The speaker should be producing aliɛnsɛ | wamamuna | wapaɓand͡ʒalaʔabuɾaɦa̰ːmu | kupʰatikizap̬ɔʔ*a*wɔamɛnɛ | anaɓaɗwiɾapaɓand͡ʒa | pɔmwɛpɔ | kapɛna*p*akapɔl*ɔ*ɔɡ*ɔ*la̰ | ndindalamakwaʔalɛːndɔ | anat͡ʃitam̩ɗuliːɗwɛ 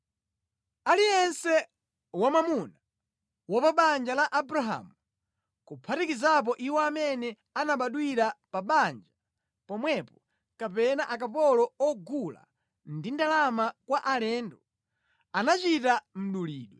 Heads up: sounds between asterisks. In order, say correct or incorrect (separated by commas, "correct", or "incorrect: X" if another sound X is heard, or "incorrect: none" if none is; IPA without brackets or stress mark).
incorrect: i, incorrect: ʔ, correct, incorrect: u